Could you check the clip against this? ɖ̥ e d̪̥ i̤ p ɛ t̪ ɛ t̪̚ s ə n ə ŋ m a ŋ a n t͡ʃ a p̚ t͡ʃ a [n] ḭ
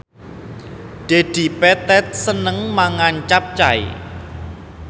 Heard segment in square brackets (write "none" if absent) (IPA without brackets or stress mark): none